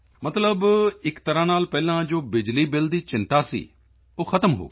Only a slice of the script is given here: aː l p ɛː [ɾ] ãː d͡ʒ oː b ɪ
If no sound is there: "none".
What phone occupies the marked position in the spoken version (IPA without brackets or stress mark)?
l